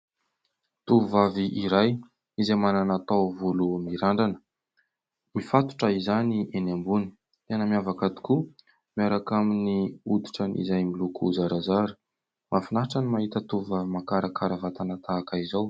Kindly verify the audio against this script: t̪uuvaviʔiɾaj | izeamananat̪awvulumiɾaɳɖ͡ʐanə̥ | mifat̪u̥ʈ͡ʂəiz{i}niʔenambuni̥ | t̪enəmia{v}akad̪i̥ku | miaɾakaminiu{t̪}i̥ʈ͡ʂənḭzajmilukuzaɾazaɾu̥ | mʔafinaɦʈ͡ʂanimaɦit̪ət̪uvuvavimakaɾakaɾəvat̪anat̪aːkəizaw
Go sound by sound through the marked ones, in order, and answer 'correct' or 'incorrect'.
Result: incorrect: a, correct, incorrect: d̪

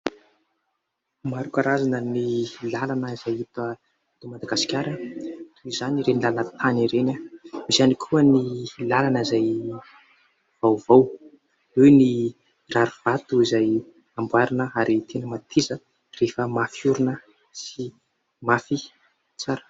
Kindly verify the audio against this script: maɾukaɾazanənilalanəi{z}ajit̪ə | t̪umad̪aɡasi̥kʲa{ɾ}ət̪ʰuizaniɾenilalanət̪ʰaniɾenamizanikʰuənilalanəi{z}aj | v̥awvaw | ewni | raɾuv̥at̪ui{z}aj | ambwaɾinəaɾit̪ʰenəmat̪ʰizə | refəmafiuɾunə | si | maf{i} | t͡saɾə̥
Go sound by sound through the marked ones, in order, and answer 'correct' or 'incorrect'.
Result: correct, correct, correct, correct, correct

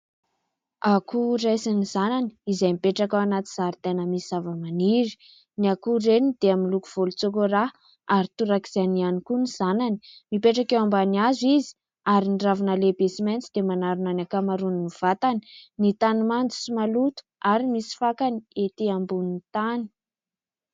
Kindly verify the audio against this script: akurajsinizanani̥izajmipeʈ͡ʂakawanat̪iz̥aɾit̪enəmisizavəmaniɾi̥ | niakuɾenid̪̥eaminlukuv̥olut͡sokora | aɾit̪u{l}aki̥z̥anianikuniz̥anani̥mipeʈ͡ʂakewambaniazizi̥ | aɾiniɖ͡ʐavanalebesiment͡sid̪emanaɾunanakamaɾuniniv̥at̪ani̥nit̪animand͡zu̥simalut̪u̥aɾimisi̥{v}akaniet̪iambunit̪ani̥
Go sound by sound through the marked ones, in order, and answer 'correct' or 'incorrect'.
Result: incorrect: ɾ, incorrect: f

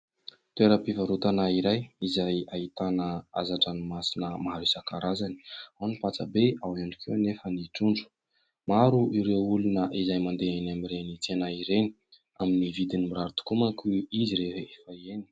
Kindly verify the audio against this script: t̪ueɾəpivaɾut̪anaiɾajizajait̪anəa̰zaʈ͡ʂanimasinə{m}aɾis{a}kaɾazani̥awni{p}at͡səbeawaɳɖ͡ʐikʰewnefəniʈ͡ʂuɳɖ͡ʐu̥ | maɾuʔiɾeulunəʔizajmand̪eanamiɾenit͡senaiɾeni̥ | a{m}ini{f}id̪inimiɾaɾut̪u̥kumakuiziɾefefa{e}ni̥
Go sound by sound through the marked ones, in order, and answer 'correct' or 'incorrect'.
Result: correct, correct, correct, correct, incorrect: v, correct

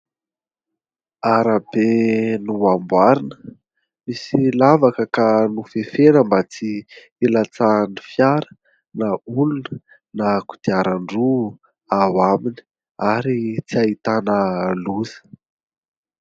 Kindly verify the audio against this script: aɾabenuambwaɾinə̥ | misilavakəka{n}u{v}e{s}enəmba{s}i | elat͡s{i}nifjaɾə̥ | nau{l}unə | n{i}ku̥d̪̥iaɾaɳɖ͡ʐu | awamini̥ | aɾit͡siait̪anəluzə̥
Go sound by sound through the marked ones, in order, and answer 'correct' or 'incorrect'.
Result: correct, incorrect: f, incorrect: f, incorrect: t͡s, incorrect: a, correct, incorrect: a

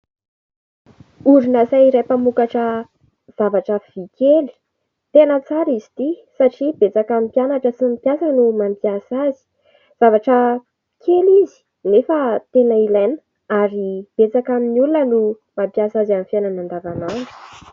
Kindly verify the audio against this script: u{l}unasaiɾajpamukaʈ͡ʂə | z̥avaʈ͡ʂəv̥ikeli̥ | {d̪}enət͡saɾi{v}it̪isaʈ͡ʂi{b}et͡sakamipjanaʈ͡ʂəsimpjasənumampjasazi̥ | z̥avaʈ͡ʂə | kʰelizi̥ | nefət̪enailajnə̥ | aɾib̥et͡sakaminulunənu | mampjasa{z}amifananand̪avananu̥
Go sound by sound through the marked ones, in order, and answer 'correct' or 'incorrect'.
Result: incorrect: ɾ, incorrect: t̪, incorrect: z, correct, correct

